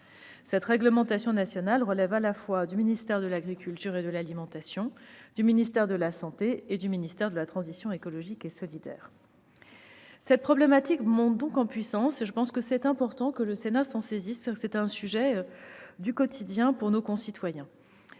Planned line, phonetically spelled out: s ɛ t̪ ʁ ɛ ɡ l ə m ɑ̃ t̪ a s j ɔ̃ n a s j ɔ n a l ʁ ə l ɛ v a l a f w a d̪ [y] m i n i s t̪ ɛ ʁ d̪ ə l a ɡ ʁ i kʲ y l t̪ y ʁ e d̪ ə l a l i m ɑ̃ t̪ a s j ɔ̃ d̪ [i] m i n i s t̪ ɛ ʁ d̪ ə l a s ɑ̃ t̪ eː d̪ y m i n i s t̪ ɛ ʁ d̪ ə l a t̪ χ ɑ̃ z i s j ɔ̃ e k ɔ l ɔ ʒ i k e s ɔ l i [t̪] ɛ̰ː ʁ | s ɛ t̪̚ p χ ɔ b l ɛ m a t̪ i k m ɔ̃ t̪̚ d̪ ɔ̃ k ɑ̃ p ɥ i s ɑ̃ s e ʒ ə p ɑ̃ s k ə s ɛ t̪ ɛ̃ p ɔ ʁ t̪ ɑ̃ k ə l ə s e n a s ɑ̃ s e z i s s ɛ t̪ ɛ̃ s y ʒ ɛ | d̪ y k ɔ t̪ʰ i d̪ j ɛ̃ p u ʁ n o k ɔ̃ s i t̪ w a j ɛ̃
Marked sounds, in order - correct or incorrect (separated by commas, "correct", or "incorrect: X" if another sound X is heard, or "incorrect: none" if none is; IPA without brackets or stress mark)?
correct, incorrect: y, incorrect: d̪